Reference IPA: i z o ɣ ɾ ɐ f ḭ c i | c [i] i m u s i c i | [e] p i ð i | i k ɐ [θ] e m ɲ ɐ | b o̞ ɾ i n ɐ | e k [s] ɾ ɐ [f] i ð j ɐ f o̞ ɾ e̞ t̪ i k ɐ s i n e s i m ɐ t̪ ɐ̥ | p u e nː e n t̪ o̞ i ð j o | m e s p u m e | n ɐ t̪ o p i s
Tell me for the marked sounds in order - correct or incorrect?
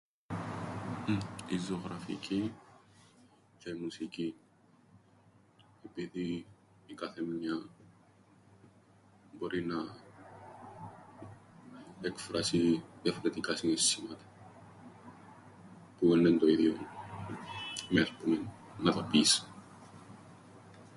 incorrect, correct, correct, incorrect, incorrect

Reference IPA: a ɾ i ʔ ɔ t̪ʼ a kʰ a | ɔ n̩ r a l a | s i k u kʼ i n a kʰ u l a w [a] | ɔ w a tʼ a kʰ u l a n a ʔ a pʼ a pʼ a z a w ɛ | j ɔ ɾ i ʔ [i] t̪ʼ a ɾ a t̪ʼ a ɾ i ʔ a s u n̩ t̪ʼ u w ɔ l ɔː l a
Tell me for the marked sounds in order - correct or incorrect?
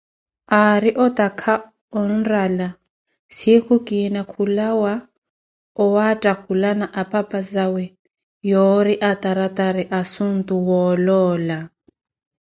correct, incorrect

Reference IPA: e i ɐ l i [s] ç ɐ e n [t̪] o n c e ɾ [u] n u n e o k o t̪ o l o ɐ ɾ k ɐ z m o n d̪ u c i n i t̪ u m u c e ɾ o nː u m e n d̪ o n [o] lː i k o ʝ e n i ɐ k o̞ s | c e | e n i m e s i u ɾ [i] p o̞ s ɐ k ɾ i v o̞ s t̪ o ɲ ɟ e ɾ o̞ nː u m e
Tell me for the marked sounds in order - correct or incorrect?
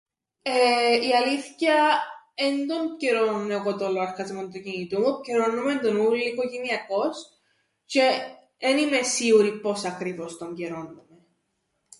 incorrect, incorrect, incorrect, incorrect, correct

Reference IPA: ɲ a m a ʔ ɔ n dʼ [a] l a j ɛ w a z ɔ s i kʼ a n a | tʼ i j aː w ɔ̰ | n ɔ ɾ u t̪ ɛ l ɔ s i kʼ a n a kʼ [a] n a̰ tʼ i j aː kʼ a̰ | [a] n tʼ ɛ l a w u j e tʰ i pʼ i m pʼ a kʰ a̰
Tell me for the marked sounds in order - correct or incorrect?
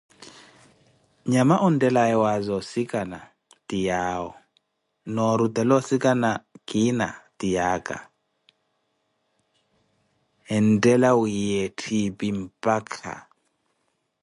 incorrect, incorrect, incorrect

